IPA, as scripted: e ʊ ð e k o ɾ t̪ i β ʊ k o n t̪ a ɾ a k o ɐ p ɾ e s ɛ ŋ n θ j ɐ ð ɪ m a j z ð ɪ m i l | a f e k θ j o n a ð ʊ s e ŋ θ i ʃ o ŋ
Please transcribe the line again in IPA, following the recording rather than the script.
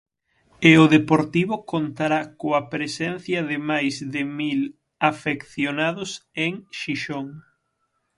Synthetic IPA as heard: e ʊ ð e p o ɾ t̪ i β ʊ k o n t̪ a ɾ a k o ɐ p ɾ e s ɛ n θ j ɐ ð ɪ m a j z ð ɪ m i l | a f e k θ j o n a ð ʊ s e ŋ ʃ i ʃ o ŋ